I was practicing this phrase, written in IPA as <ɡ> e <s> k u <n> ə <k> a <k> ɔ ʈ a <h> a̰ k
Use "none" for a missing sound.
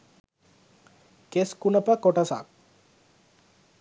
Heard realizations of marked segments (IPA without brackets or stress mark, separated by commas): k, s, n, p, k, s